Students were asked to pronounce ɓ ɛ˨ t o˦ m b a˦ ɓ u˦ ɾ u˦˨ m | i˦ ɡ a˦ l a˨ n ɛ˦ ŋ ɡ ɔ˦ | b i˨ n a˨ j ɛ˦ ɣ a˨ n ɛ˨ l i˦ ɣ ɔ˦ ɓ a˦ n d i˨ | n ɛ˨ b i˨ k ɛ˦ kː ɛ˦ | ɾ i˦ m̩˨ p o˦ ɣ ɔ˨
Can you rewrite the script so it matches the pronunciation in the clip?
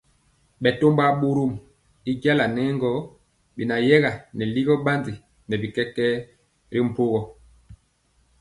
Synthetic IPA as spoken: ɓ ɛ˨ t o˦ m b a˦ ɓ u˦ ɾ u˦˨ m | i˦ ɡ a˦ l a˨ n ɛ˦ ŋ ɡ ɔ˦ | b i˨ n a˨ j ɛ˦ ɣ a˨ n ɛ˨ l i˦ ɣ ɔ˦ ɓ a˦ n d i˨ | n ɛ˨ b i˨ k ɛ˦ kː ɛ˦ | ɾ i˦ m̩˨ p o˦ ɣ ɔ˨